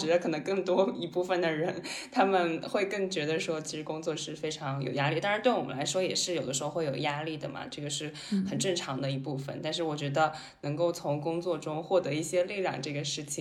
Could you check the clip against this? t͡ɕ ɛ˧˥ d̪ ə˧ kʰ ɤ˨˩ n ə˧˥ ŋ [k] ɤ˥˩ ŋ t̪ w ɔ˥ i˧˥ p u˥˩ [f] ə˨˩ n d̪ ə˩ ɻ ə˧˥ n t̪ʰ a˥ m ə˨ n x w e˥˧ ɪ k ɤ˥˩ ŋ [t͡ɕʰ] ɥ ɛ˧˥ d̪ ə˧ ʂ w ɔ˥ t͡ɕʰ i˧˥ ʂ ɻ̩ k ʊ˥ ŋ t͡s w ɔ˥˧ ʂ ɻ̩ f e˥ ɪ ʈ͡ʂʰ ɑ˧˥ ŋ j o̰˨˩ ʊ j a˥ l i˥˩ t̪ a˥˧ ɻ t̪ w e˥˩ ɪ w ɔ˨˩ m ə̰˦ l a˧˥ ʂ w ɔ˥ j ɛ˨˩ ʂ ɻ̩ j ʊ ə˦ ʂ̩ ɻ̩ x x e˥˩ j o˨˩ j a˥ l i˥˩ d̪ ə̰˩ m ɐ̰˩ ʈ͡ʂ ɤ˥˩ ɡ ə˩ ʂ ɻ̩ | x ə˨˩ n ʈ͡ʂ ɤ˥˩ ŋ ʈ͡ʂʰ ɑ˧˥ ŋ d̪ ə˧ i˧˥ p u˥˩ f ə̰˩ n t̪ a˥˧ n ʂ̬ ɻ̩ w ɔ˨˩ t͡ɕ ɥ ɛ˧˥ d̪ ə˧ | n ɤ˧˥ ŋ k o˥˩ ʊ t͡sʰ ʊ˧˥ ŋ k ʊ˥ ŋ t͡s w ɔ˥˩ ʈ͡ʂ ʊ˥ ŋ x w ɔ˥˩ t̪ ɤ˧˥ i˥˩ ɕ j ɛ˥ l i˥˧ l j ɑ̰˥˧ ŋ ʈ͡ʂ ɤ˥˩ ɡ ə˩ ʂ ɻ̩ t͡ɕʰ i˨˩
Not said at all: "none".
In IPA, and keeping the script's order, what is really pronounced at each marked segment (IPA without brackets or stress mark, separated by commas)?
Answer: k, f, t͡ɕ